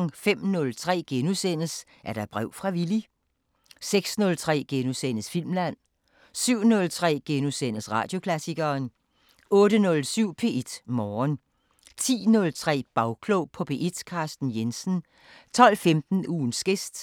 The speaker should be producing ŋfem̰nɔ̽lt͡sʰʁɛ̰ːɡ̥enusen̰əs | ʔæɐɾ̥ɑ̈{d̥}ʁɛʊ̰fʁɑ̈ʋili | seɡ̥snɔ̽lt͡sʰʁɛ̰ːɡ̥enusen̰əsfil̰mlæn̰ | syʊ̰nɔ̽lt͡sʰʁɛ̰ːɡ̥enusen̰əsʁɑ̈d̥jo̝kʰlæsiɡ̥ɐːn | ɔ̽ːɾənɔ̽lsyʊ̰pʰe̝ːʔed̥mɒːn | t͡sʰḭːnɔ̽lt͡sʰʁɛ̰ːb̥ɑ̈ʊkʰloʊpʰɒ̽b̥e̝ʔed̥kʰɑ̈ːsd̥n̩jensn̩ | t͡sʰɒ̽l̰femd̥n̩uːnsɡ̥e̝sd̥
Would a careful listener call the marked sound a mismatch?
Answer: yes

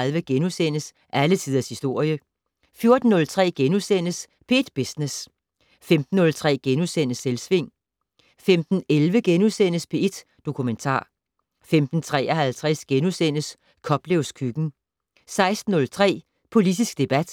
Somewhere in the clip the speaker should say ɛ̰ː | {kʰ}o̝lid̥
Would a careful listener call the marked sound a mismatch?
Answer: yes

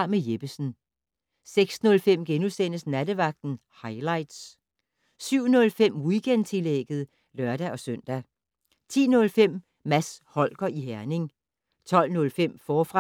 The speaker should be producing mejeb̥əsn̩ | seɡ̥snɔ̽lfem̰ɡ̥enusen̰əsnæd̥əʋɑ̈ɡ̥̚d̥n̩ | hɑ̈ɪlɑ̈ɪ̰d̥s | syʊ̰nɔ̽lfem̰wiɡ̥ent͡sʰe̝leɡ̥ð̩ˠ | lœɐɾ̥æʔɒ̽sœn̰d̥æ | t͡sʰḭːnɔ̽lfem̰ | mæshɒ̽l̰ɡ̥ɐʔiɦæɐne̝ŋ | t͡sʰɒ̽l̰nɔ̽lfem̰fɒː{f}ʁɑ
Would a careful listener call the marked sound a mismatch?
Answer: no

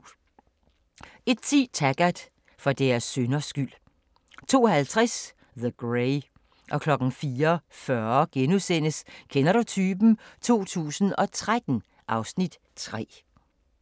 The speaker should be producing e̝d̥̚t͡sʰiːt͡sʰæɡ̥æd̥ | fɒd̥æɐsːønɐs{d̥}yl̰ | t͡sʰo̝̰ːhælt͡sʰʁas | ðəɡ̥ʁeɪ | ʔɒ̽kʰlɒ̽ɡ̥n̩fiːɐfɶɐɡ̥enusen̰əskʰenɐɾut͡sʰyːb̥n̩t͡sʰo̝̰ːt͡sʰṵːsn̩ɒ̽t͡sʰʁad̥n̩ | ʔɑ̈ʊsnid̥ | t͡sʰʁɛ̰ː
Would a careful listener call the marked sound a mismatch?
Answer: yes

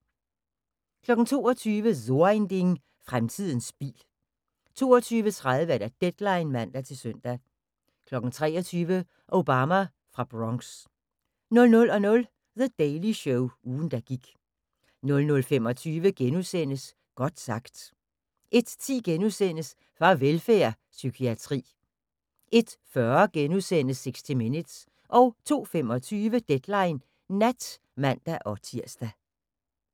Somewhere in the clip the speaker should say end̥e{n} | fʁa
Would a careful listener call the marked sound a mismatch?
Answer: yes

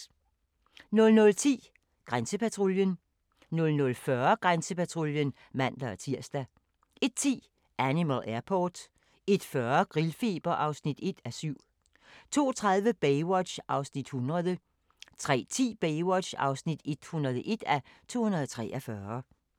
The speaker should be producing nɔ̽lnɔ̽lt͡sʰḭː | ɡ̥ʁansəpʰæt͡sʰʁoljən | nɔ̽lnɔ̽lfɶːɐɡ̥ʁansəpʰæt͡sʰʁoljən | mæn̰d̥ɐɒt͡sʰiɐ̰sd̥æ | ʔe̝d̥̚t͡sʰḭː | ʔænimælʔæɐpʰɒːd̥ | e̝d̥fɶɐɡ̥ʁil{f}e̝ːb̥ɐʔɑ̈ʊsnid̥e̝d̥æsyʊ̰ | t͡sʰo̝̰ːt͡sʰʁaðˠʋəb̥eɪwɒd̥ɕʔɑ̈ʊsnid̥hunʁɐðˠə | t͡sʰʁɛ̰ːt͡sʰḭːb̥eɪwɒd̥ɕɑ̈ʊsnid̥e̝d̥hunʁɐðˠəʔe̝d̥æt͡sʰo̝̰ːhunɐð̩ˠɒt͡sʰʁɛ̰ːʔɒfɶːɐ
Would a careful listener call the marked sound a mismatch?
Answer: no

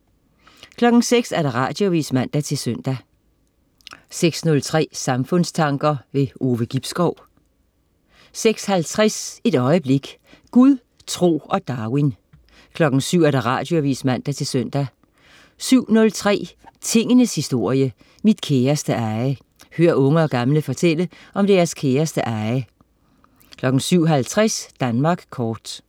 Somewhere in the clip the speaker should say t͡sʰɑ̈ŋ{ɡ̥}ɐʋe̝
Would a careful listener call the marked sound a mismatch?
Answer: no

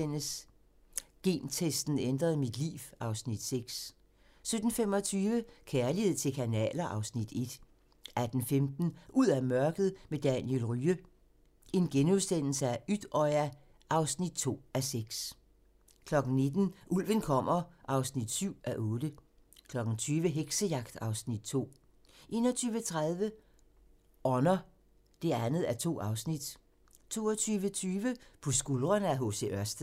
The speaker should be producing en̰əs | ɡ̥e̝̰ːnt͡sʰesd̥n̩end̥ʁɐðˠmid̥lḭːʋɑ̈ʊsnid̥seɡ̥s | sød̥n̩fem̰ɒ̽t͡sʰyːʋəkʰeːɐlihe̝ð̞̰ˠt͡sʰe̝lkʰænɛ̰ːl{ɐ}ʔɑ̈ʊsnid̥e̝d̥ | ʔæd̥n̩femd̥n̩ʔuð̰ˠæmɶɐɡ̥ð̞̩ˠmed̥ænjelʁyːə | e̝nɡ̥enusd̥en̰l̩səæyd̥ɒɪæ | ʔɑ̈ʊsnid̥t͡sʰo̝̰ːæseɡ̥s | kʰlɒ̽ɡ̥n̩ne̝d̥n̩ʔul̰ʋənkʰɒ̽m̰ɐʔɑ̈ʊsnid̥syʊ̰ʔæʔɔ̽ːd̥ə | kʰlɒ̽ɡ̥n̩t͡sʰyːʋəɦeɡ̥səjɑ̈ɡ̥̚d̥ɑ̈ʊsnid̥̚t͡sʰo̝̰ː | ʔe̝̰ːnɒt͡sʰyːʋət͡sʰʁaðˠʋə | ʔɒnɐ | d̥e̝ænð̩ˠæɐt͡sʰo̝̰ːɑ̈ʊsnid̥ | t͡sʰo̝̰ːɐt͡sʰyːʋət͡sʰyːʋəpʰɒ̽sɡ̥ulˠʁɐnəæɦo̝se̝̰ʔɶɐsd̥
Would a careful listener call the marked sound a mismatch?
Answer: no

